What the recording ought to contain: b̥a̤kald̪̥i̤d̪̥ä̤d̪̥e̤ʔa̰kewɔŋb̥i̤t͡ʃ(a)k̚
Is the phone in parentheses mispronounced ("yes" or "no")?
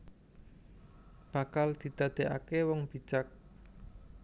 no